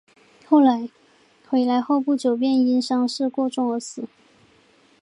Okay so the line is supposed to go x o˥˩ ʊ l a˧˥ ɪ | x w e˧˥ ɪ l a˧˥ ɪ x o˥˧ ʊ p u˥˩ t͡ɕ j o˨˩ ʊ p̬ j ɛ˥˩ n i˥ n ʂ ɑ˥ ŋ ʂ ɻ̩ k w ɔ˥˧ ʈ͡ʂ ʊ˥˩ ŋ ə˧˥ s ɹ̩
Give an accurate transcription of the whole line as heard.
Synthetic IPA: x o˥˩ ʊ l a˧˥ ɪ | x w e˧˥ ɪ l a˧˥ ɪ x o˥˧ ʊ p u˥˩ t͡ɕ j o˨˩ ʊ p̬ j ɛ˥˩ n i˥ n ʂ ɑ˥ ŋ ʂ ɻ̩ k w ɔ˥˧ ʈ͡ʂ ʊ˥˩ ŋ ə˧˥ s ɹ̩